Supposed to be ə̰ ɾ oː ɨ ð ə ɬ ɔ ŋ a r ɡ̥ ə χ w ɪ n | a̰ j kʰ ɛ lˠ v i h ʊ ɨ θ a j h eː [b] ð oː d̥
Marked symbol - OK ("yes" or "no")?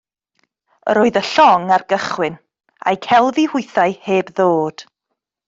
yes